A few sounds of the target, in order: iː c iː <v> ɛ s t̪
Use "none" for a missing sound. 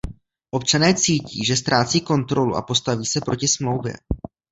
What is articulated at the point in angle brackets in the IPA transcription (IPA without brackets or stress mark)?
ʒ